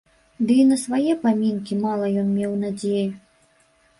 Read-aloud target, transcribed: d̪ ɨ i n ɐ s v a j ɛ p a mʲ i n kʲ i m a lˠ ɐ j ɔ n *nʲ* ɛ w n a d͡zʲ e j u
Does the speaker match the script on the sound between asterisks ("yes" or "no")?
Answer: no